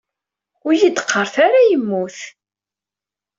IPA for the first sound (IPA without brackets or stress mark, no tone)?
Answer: ʊ